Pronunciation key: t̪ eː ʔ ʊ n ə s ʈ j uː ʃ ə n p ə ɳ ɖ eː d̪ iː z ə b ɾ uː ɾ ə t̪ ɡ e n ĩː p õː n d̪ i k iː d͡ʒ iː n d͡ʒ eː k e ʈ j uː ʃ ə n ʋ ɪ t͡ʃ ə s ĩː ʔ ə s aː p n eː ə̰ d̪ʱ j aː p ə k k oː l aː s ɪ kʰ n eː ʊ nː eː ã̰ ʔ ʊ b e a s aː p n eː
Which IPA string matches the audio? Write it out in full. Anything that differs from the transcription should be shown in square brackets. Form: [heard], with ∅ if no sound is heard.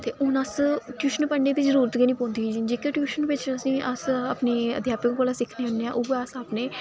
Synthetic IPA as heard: t̪ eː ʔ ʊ n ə s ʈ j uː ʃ ə n p ə ɳ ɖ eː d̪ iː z ə [∅] ɾ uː ɾ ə t̪ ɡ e n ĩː p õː n d̪ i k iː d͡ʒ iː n d͡ʒ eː k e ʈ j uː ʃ ə n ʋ ɪ t͡ʃ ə s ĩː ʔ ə s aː p n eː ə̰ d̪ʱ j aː p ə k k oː l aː s ɪ kʰ n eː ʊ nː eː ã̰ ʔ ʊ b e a s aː p n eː